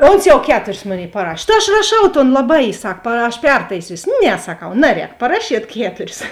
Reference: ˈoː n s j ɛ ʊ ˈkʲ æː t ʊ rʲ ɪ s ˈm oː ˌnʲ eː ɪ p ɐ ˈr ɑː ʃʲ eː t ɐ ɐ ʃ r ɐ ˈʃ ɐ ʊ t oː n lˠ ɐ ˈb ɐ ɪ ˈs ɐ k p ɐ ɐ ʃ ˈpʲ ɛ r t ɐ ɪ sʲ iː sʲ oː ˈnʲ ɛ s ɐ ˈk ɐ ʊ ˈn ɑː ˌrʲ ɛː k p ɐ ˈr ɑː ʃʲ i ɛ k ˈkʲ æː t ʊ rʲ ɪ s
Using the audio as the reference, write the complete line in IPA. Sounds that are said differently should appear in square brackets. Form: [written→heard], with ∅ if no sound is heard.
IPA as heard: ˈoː n s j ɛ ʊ ˈkʲ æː t ʊ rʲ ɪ s ˈm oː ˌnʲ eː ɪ p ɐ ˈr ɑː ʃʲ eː t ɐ ɐ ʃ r ɐ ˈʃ ɐ ʊ t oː n lˠ ɐ ˈb ɐ ɪ ˈs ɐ k p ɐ ɐ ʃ ˈpʲ ɛ r t ɐ ɪ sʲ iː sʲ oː ˈnʲ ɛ s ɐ ˈk ɐ ʊ ˈn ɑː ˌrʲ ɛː k p ɐ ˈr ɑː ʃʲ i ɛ [k→t] ˈkʲ æː t ʊ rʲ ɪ s